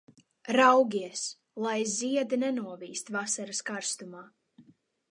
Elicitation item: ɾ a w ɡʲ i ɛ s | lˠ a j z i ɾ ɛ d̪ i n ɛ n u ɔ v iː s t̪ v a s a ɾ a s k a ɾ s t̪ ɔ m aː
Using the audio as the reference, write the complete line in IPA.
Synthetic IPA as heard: ɾ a w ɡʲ i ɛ s | lˠ a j z i ɛ d̪ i n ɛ n u ɔ v iː s t̪ v a s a ɾ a s k a ɾ s t̪ u m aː